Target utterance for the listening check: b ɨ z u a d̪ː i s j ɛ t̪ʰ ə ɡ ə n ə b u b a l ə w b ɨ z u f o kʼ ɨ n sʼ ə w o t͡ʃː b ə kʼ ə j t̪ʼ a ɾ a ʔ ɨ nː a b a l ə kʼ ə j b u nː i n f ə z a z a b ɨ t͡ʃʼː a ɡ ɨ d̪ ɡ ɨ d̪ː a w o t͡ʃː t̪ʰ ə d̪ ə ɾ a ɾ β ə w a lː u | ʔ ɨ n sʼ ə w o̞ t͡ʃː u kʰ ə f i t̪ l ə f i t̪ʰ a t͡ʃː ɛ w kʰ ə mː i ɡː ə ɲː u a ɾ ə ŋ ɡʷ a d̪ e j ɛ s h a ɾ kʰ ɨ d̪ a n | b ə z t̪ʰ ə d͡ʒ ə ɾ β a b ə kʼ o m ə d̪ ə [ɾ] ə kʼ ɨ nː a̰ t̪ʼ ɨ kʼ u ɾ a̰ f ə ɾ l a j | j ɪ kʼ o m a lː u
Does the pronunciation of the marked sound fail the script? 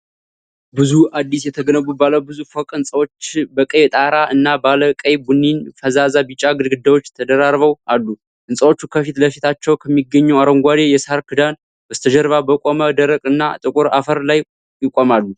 no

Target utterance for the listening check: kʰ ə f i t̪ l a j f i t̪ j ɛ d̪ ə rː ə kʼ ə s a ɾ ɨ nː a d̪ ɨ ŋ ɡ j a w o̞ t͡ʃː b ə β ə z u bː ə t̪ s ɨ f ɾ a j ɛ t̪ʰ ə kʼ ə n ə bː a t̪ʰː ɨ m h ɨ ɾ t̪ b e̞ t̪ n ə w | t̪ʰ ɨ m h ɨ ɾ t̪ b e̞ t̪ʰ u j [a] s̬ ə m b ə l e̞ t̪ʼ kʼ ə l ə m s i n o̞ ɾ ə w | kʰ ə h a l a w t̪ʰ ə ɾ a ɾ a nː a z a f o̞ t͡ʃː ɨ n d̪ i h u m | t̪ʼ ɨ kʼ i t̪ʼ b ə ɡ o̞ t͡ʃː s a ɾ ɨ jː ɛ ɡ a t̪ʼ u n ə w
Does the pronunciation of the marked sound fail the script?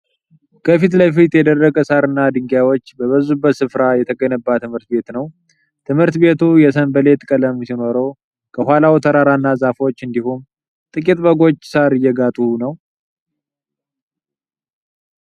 yes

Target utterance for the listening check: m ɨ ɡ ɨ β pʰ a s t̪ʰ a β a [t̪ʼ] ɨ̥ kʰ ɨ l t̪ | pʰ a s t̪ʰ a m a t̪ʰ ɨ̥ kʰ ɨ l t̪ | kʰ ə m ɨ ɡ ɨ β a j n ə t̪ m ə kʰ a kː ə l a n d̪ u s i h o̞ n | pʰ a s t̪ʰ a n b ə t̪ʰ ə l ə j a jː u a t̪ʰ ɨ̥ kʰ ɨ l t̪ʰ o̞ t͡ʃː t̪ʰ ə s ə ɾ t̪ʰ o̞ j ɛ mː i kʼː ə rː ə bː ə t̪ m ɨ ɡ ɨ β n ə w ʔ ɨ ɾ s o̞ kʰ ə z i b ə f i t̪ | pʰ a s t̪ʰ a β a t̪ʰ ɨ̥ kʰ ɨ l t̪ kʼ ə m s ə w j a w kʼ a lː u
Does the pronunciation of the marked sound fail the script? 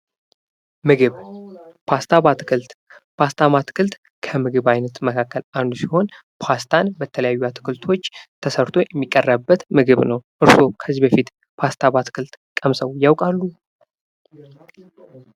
yes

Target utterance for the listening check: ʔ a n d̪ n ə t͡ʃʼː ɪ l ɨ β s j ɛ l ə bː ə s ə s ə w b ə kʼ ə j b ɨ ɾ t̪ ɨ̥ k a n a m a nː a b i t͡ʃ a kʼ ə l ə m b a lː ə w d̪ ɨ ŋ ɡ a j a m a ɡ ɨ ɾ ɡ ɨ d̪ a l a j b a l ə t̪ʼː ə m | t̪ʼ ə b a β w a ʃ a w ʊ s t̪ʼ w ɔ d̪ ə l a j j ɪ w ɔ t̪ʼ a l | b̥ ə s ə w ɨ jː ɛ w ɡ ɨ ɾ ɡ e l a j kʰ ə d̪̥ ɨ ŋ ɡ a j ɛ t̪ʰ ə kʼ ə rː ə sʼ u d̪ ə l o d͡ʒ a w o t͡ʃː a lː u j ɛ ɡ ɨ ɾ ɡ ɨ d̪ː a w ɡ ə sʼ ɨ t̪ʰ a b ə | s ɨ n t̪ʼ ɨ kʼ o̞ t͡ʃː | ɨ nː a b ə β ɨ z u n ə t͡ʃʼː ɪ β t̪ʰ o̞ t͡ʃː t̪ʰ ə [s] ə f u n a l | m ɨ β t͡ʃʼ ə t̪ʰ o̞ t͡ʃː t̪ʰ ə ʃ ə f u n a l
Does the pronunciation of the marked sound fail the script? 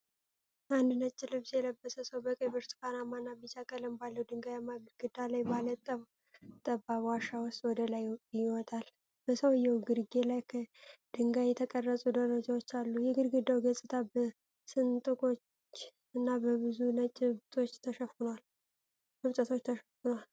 yes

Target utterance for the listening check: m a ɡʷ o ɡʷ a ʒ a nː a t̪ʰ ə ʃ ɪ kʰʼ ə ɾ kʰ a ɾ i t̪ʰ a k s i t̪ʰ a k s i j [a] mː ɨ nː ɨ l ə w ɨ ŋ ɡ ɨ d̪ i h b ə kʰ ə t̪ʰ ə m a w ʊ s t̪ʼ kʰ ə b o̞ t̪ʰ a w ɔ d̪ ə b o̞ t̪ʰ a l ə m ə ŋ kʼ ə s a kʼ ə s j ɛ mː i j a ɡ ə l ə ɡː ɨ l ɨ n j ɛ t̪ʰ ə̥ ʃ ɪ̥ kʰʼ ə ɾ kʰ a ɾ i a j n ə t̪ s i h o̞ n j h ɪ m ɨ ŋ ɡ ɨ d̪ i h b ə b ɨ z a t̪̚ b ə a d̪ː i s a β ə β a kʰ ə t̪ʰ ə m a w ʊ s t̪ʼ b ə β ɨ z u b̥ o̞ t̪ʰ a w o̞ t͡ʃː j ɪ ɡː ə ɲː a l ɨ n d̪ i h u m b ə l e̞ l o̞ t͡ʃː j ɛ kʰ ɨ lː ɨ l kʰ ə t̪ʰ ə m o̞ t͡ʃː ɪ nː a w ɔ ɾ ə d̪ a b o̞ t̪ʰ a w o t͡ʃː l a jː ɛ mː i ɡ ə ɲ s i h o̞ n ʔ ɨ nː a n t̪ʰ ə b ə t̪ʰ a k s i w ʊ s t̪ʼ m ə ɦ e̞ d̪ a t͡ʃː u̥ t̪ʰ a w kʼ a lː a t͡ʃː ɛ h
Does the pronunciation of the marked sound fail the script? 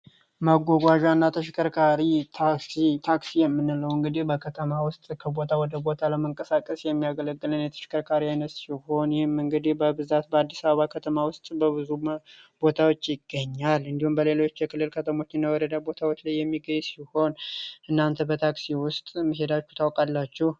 yes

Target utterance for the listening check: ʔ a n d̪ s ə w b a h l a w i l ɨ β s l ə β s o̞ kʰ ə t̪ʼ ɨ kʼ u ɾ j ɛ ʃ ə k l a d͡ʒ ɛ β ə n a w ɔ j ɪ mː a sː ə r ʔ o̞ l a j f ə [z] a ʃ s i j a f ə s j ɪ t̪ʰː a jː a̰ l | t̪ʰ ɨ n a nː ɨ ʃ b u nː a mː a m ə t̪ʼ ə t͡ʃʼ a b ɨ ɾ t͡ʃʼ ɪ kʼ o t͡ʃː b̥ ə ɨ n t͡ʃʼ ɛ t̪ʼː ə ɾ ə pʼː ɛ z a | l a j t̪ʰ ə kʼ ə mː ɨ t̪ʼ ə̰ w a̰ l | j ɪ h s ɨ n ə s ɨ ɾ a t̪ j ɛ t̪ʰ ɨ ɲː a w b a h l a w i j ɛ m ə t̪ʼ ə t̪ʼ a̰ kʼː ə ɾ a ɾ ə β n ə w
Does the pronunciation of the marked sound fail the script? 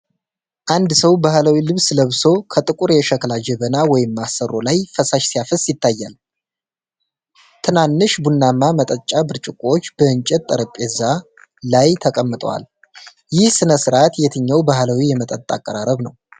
yes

